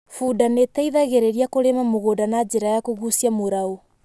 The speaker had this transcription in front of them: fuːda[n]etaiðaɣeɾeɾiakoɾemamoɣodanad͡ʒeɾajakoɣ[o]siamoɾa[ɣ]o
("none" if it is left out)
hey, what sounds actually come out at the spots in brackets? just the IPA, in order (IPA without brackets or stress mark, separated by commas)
n, u, none